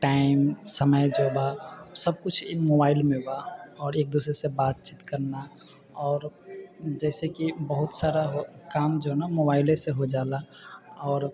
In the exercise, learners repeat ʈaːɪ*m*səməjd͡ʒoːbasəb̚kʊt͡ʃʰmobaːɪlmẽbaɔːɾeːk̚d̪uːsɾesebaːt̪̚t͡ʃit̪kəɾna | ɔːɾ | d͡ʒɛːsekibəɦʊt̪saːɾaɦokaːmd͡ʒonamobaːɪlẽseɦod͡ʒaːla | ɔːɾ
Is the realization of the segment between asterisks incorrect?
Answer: no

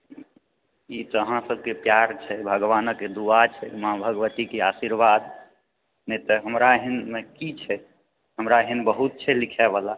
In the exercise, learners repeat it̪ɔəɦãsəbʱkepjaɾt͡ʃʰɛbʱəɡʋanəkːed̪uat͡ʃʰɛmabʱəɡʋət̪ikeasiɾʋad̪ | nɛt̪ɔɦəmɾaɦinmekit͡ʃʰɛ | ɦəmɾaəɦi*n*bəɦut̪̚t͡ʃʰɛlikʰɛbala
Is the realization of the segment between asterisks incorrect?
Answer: no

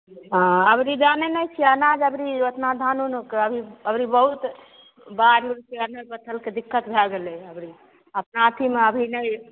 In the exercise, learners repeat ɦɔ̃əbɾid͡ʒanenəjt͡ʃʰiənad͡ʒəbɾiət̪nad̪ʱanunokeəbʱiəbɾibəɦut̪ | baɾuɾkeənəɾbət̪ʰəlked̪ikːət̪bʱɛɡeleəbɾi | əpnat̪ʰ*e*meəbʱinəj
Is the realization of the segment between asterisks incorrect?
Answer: yes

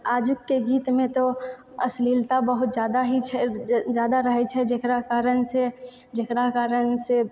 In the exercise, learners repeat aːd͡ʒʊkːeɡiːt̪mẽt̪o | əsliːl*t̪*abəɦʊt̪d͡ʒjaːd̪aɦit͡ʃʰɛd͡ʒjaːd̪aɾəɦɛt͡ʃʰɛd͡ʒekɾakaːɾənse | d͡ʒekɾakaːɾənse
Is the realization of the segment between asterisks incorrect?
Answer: no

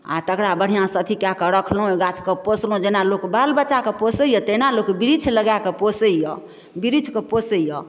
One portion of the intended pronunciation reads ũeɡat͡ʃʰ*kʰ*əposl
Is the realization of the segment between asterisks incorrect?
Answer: yes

